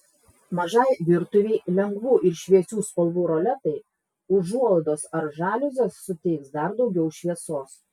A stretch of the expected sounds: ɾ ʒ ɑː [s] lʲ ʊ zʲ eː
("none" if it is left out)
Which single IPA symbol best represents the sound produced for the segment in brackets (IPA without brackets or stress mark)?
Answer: none